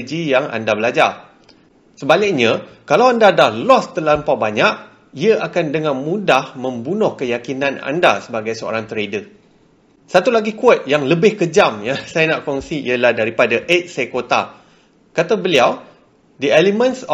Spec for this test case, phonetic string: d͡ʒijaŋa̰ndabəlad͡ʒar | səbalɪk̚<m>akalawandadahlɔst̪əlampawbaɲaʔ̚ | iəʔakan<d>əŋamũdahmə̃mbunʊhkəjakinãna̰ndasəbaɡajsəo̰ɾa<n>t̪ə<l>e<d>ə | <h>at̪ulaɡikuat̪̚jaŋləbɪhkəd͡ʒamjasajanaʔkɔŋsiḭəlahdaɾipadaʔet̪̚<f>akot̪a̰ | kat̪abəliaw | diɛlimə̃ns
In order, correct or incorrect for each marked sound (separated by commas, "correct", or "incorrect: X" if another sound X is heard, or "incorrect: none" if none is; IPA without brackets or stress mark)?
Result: incorrect: ɲ, correct, incorrect: ŋ, incorrect: ɾ, correct, incorrect: s, incorrect: s